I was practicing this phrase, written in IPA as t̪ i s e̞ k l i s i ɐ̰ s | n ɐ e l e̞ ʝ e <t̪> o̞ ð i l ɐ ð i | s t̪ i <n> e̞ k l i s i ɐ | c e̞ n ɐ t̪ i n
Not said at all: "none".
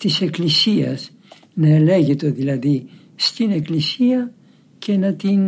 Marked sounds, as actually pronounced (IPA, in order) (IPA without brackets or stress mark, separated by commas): t̪, n